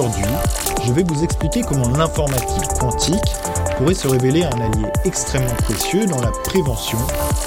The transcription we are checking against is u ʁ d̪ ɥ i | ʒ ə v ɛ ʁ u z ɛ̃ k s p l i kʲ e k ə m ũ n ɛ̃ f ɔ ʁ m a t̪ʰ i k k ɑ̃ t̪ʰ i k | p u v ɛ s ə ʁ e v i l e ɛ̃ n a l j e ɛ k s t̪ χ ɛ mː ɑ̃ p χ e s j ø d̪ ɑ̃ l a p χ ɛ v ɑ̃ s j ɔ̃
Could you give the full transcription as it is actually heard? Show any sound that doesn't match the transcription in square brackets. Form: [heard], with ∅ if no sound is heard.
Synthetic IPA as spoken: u ʁ d̪ ɥ i | ʒ ə v ɛ [v] u z [ɛ] k s p l i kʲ e k ə m [ɔ̃] n ɛ̃ f ɔ ʁ m a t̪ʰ i k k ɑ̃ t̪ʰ i k | p u [ʁ] ɛ s ə ʁ e v [e] l e ɛ̃ n a l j e ɛ k s t̪ χ ɛ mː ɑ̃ p χ e s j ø d̪ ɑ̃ l a p χ [e] v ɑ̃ s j ɔ̃